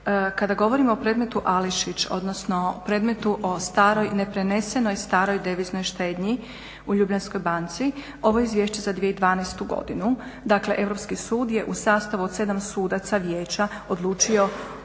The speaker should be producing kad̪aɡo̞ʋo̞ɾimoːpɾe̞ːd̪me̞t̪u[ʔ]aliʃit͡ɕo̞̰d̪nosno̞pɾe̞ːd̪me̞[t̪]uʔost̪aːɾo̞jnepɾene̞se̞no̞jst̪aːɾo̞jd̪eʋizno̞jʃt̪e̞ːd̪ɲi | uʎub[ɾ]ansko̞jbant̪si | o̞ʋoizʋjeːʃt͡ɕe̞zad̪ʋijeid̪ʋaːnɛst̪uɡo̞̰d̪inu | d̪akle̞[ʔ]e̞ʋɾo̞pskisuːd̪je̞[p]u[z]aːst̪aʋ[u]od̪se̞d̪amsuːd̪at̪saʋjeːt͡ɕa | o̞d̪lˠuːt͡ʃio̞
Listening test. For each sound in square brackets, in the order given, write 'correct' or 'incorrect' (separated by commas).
correct, correct, incorrect, correct, incorrect, incorrect, correct